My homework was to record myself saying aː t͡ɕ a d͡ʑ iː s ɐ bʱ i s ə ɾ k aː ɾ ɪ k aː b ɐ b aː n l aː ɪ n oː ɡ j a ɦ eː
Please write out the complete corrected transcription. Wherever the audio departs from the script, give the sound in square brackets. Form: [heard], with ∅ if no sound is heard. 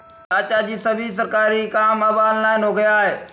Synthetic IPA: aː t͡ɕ a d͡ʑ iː s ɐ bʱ i s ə ɾ k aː ɾ [i] k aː [m] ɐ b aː n l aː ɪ n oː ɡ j a ɦ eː